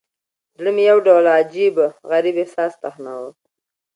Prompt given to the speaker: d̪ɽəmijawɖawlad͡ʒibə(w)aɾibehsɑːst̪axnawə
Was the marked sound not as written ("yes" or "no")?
yes